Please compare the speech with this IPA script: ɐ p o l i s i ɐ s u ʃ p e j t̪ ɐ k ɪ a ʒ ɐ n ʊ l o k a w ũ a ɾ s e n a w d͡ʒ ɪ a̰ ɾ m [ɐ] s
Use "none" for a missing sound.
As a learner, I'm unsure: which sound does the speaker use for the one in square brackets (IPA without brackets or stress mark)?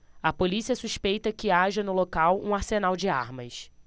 ɐ